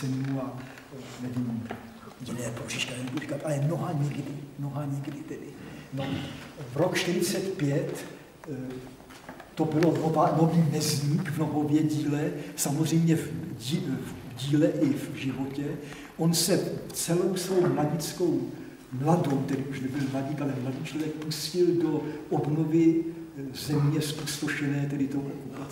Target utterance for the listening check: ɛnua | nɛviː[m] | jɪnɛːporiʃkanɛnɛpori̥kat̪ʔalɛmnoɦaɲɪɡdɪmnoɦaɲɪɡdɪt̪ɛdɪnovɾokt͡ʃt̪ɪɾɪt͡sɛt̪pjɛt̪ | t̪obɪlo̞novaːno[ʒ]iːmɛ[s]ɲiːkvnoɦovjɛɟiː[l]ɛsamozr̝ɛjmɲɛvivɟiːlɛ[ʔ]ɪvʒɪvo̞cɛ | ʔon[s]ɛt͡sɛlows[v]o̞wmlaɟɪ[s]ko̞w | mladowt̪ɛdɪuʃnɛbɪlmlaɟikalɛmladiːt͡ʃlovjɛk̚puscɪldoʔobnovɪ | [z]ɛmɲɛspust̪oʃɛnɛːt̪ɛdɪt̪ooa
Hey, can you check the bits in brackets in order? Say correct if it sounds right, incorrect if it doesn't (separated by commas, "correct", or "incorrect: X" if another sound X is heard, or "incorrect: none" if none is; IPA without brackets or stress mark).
correct, incorrect: v, incorrect: z, correct, correct, correct, correct, incorrect: t͡s, correct